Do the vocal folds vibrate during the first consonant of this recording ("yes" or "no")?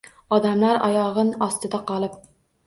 yes